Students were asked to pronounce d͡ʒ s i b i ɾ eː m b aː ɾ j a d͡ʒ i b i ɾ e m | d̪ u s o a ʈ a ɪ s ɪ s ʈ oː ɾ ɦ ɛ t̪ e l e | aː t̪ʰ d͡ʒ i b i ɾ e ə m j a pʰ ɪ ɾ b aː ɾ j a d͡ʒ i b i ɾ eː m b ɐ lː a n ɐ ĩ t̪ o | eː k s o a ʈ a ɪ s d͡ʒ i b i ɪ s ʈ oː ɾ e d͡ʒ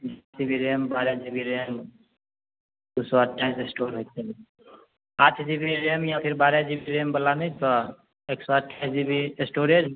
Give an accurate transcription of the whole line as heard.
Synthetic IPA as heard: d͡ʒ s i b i ɾ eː m b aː ɾ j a d͡ʒ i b i ɾ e m | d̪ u s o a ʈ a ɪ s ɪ s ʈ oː ɾ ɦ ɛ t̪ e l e | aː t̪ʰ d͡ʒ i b i ɾ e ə m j a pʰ ɪ ɾ b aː ɾ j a d͡ʒ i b i ɾ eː m b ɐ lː a n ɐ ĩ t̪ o | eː k s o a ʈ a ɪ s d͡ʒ i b i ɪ s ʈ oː ɾ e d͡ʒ